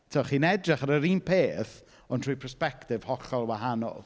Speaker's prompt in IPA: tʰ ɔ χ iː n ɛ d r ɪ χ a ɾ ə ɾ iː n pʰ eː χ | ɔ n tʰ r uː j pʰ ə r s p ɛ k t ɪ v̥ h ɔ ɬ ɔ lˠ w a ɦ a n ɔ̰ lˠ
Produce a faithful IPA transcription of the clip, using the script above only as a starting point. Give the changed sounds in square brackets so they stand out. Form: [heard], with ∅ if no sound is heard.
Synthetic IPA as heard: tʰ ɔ χ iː n ɛ d r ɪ χ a ɾ ə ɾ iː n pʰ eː [θ] | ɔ n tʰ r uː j pʰ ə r s p ɛ k t ɪ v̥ h ɔ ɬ ɔ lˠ w a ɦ a n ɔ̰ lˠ